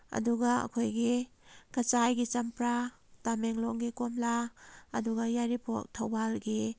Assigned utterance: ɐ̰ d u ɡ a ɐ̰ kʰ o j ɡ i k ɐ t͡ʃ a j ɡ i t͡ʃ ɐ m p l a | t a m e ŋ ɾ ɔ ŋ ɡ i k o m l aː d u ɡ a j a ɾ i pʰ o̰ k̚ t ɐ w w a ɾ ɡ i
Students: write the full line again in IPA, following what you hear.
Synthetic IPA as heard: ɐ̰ d u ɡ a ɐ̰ kʰ o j ɡ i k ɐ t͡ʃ a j ɡ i t͡ʃ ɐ m p ɾ a | t a m e ŋ l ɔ ŋ ɡ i k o m l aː d u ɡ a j a ɾ i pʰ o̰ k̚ tʰ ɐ w b a l ɡ i